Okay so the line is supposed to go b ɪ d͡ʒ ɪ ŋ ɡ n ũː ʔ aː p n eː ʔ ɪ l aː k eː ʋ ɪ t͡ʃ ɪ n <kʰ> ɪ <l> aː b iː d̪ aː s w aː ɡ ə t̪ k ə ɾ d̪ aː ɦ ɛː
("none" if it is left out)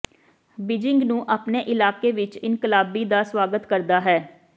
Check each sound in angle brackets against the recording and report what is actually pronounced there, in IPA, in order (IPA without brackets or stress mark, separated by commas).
k, l